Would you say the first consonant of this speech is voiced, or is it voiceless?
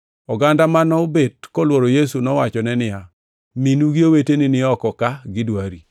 voiced